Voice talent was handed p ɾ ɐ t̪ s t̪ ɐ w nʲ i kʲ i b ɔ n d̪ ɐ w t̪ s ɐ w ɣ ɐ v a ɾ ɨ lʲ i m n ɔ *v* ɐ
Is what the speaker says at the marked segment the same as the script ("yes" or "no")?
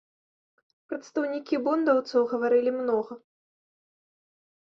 no